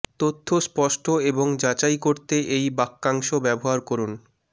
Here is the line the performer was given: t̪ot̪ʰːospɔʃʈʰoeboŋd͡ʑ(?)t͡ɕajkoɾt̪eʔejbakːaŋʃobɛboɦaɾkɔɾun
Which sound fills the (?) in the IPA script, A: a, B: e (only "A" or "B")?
A